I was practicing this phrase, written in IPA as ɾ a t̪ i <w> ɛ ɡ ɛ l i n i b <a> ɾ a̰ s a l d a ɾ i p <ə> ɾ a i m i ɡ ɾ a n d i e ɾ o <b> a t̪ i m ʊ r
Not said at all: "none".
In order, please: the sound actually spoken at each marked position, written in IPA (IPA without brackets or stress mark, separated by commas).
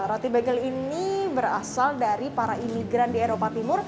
b, ə, a, p